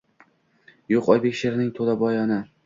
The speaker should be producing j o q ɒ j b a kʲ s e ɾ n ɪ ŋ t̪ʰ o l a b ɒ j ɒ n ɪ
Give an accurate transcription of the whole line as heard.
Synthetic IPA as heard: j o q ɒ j b e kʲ ʃ e ɾ n ɪ ŋ t̪ʰ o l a b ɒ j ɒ n ɪ